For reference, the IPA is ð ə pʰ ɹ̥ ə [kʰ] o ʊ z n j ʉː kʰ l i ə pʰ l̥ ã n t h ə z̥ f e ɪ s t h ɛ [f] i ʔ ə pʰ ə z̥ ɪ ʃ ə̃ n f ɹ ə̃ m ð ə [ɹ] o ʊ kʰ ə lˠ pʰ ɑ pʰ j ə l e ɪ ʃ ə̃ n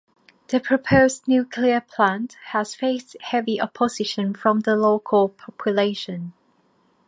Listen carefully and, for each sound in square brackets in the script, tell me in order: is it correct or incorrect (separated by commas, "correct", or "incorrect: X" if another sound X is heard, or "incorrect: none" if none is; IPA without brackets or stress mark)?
incorrect: pʰ, incorrect: v, incorrect: l